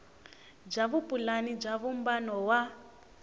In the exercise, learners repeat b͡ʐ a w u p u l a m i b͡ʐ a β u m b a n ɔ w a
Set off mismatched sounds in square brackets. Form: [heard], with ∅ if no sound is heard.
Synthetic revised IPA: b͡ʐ a [β] u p u l a [n] i b͡ʐ a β u m b a n ɔ w a